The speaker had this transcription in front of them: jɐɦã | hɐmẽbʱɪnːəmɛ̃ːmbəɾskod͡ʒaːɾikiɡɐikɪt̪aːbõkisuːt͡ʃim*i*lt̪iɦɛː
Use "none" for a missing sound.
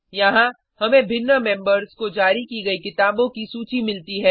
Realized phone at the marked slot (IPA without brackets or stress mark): ɪ